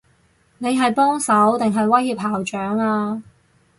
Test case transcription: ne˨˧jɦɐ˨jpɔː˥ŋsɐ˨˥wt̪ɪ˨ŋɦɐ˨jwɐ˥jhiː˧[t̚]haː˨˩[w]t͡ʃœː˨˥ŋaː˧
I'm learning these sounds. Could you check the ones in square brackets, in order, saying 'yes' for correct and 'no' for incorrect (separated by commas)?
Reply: no, yes